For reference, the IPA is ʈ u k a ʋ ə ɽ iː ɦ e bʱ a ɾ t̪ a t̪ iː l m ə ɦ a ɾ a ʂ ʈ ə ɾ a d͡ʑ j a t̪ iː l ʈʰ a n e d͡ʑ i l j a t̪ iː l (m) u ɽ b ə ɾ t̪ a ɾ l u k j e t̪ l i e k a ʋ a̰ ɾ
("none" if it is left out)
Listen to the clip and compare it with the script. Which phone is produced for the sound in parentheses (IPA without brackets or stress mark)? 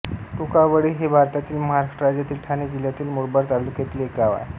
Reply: m